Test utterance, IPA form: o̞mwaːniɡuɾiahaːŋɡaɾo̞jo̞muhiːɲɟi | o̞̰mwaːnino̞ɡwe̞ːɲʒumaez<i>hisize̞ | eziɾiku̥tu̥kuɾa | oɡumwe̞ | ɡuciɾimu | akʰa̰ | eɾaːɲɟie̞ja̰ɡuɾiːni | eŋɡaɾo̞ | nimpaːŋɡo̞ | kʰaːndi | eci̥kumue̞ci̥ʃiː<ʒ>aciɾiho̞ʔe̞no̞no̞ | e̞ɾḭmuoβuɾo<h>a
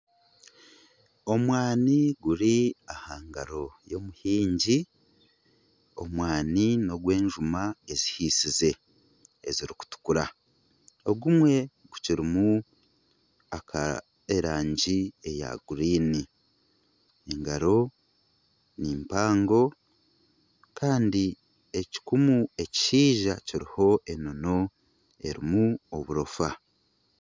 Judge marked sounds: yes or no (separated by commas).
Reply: yes, yes, no